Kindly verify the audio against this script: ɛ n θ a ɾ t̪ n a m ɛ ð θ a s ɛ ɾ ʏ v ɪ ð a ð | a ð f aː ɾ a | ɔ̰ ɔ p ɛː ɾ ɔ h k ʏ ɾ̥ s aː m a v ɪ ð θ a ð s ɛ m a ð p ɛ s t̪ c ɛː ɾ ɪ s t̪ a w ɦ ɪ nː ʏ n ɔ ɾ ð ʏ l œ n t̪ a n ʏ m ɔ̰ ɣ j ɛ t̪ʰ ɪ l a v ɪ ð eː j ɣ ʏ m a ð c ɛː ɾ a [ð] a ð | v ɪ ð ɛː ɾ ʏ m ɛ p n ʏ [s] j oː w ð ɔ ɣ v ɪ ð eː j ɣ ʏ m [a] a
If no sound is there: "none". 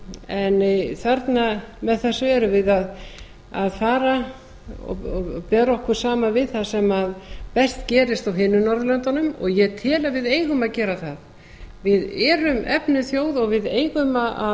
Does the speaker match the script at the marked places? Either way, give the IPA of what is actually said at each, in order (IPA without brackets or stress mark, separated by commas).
θ, θ, a